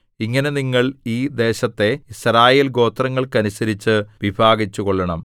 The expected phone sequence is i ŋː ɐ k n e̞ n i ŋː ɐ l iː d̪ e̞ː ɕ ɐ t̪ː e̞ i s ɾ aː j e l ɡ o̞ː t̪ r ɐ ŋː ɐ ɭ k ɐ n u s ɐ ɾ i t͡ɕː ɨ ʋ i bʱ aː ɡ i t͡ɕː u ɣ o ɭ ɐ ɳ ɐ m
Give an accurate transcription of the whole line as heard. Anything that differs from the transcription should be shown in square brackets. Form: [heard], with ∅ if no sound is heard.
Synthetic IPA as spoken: i ŋː ɐ [∅] n e̞ n i ŋː ɐ [ɭ] iː d̪ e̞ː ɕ ɐ t̪ː e̞ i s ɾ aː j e l ɡ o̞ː t̪ r ɐ ŋː ɐ ɭ k ɐ n u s ɐ ɾ i t͡ɕː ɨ ʋ i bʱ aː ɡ i t͡ɕː u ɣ o [ɭː] ɐ ɳ ɐ m